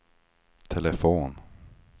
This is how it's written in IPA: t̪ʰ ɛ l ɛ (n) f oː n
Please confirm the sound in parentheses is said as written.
no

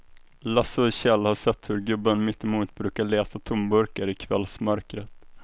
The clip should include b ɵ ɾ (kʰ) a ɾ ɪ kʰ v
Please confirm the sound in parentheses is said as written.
no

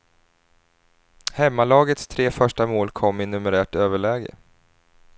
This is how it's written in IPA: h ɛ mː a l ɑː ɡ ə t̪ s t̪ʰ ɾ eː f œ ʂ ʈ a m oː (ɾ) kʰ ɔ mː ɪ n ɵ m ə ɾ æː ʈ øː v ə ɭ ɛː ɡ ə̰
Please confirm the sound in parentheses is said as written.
no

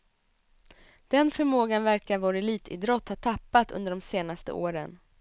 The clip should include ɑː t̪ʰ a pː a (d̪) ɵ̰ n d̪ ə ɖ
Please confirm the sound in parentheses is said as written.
no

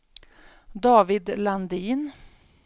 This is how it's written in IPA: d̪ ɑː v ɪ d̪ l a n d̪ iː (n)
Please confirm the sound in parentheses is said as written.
yes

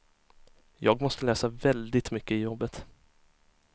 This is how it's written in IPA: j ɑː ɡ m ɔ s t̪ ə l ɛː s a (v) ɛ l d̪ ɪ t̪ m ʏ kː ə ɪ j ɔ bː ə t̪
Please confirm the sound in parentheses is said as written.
yes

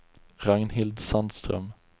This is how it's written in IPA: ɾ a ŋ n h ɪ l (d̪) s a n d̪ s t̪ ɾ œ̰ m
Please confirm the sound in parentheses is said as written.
yes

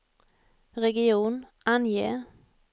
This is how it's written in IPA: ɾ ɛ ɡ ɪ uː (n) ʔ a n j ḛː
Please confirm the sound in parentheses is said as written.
yes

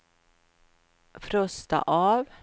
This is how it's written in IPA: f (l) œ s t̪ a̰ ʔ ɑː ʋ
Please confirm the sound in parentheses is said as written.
no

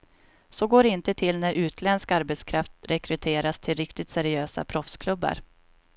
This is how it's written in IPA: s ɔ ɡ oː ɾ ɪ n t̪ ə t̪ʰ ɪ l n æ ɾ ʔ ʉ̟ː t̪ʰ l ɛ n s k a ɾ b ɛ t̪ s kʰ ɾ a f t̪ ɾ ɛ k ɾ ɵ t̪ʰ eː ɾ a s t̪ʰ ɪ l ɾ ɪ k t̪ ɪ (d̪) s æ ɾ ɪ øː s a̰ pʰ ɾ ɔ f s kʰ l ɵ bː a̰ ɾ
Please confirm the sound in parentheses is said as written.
no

